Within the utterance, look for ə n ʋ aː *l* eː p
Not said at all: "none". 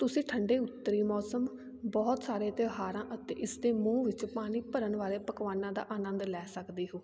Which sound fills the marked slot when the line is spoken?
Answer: ɾ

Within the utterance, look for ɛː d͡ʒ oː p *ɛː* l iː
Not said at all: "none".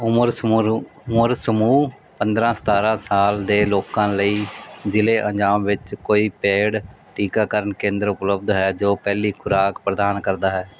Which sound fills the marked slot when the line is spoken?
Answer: ɛː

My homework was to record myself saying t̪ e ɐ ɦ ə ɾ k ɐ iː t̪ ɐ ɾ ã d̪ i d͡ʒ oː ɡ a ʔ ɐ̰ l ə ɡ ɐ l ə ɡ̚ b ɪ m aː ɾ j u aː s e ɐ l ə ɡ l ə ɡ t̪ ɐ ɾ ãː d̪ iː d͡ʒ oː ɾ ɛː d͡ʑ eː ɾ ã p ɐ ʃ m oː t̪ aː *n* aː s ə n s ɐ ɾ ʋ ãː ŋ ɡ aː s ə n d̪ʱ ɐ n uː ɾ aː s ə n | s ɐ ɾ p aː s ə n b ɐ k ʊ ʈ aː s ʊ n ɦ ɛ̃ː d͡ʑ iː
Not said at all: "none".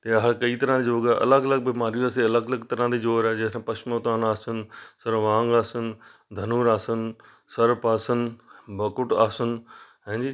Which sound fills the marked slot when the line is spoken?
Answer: n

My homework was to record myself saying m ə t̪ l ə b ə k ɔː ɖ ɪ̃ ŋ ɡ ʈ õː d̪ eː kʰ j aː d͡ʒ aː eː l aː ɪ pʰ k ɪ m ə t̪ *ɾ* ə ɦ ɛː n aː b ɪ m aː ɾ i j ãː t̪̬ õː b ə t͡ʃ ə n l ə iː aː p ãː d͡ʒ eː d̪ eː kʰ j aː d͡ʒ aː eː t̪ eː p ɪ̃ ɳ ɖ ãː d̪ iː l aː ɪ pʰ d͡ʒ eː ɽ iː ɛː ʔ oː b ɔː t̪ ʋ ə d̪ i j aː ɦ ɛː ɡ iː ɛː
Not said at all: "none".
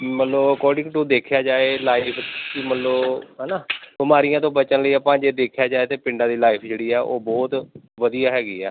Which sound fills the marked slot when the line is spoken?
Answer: l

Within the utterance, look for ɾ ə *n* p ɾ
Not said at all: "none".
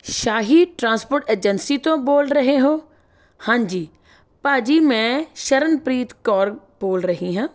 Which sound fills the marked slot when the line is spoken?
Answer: n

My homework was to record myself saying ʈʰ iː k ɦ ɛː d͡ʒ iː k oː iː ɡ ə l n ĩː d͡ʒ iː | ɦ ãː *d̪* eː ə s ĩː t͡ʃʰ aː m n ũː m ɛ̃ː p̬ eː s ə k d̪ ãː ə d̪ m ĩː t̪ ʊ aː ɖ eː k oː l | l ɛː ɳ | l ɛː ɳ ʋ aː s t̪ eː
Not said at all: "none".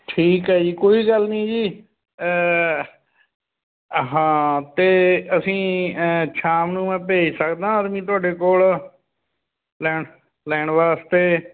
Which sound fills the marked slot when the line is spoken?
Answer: t̪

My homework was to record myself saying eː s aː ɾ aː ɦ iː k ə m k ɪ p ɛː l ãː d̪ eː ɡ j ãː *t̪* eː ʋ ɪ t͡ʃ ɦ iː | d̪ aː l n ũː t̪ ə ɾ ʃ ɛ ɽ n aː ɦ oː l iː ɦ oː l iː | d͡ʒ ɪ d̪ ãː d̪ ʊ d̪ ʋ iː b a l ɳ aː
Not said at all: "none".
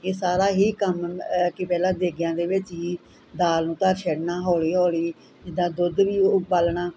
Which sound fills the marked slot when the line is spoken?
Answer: d̪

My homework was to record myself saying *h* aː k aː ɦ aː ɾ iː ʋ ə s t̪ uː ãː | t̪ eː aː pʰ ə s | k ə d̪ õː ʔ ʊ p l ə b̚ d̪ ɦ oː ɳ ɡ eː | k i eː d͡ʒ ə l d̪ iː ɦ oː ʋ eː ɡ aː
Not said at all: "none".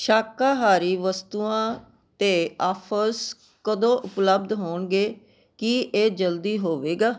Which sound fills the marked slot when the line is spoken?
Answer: ʃ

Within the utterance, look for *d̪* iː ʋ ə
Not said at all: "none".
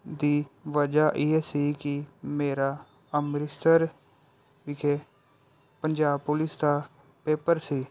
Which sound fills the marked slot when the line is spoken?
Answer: d̪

